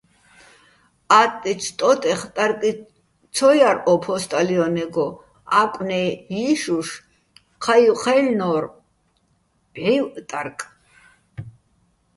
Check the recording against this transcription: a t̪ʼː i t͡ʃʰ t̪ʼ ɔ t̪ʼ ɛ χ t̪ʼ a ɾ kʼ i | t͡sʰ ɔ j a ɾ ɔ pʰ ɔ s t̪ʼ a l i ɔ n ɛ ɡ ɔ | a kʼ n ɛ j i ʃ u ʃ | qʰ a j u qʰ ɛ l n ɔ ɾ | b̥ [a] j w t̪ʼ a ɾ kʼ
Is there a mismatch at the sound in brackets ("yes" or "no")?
yes